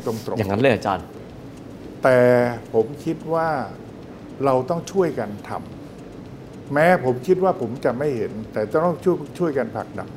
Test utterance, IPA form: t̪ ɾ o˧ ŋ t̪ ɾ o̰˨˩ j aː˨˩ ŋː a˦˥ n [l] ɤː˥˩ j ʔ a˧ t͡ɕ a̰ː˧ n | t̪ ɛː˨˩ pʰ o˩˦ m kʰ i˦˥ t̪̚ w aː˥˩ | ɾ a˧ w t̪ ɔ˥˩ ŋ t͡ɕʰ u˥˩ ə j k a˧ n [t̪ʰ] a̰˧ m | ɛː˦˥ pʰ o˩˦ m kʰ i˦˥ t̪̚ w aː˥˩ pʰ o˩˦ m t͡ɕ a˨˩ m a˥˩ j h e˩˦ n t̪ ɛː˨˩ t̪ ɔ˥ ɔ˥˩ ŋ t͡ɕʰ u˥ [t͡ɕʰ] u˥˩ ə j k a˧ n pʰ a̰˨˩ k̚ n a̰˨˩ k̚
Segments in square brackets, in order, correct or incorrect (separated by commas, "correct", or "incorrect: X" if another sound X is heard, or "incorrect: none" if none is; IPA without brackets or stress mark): correct, correct, correct